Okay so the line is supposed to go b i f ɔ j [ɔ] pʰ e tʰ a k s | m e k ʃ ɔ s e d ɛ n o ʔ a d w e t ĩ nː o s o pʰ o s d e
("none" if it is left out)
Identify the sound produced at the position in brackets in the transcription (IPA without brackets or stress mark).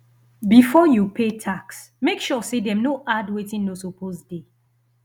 u